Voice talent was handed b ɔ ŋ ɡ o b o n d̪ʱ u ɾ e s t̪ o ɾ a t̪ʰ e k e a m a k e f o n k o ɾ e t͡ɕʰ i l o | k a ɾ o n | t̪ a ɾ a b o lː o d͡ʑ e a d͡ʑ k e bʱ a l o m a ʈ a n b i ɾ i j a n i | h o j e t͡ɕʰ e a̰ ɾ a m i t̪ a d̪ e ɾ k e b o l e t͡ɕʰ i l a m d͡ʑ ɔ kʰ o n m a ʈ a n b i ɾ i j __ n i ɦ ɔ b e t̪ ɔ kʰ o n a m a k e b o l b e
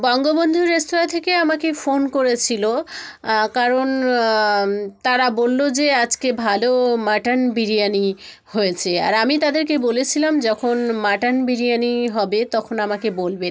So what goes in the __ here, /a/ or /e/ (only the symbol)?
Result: a